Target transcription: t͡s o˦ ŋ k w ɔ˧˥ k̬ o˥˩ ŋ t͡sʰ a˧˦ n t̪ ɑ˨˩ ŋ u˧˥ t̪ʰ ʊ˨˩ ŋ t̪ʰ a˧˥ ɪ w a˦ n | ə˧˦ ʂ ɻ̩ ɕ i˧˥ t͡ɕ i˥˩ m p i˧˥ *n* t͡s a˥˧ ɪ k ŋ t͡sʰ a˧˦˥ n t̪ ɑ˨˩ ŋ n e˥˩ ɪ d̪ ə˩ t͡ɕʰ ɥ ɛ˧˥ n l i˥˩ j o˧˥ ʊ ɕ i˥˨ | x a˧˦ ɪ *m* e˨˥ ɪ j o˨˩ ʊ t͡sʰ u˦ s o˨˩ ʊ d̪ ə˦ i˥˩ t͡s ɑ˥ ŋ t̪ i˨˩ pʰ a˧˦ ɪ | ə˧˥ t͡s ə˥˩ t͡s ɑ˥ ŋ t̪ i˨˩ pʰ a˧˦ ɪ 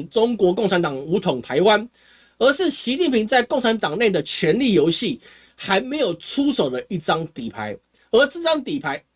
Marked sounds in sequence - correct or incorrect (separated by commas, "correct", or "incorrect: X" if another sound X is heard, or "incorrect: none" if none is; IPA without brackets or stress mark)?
incorrect: ŋ, correct